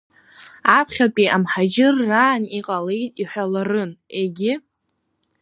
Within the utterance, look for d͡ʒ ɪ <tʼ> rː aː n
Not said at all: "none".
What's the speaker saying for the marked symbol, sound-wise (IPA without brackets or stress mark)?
none